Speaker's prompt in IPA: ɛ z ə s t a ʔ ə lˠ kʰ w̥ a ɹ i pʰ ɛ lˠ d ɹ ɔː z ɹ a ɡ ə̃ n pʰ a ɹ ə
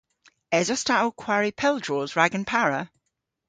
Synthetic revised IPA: ɛ z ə s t a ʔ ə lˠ kʰ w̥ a ɹ i pʰ ɛ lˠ d ɹ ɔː z ɹ a ɡ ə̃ n pʰ a ɹ ə

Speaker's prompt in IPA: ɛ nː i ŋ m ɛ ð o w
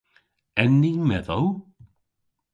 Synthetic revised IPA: ɛ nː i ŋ m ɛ ð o w

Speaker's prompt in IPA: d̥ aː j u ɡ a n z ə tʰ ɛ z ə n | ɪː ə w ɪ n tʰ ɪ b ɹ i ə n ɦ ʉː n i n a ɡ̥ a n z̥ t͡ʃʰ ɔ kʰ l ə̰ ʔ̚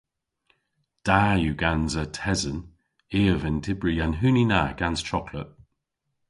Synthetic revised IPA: d̥ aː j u ɡ a n z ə tʰ ɛ z ə n | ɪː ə v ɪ n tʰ ɪ b ɹ i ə n ɦ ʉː n i n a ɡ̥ a n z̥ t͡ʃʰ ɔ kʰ l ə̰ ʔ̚

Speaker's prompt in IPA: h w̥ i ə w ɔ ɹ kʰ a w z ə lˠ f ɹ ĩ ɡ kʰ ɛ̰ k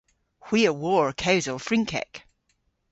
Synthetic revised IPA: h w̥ i ə w ɔ ɹ kʰ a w z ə lˠ f ɹ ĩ ŋ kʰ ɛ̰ k

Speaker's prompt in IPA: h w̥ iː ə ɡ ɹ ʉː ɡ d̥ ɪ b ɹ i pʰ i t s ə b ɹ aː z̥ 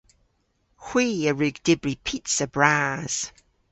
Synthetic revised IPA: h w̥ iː ə ɹ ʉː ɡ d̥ ɪ b ɹ i pʰ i t s ə b ɹ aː z̥

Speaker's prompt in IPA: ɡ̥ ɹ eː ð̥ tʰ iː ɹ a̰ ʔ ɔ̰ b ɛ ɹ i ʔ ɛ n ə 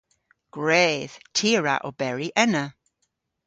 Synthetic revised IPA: ɡ̥ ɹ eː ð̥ tʰ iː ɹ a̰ ʔ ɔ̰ b ɛ ɹ i ʔ ɛ n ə

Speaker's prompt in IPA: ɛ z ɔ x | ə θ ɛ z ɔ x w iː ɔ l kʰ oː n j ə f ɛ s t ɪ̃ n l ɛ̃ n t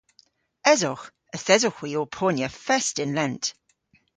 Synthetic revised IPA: ɛ z ɔ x | ə θ ɛ z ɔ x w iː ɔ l pʰ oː n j ə f ɛ s t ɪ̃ n l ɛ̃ n t

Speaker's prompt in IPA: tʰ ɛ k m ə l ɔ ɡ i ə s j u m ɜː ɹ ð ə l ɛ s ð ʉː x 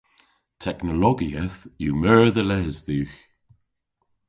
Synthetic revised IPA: tʰ ɛ k n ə l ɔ ɡ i ə θ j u m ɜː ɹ ð ə l ɛ z ð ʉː x

